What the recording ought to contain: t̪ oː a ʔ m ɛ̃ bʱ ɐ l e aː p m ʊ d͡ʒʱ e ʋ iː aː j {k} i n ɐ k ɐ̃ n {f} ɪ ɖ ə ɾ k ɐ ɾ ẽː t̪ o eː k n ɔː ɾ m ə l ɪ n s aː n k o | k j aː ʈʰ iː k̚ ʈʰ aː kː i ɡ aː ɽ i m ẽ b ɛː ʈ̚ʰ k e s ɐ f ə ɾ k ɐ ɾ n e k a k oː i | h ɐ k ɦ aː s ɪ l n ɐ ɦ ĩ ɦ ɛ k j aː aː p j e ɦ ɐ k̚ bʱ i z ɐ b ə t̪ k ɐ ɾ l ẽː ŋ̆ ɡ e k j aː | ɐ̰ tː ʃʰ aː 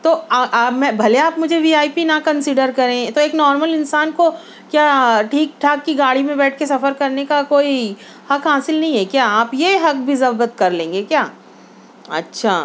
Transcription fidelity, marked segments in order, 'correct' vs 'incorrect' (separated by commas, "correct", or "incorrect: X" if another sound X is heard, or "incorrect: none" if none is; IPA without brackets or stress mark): incorrect: p, incorrect: s